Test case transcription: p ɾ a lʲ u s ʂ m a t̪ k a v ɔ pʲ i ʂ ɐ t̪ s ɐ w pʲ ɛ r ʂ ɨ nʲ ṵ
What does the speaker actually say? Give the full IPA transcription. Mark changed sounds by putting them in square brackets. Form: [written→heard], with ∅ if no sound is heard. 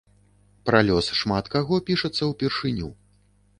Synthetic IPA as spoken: p ɾ a lʲ [u→ɔ] s ʂ m a t̪ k a [v→ɣ] ɔ pʲ i ʂ ɐ t̪ [s→sː] ɐ w pʲ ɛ r ʂ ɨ nʲ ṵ